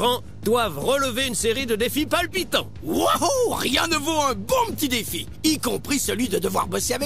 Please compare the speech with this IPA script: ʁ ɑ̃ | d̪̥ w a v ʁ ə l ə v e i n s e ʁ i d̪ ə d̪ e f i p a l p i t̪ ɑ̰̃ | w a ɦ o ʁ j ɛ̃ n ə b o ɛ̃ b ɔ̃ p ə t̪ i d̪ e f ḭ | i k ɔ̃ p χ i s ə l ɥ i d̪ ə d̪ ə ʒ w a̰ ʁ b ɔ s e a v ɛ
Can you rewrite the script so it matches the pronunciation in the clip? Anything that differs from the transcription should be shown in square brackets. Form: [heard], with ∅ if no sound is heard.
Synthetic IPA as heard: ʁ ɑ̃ | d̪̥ w a v ʁ ə l ə v e [y] n s e ʁ i d̪ ə d̪ e f i p a l p i t̪ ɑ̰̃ | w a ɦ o ʁ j ɛ̃ n ə [v] o ɛ̃ b ɔ̃ p ə t̪ i d̪ e f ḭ | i k ɔ̃ p χ i s ə l ɥ i d̪ ə d̪ ə [v] w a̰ ʁ b ɔ s e a v ɛ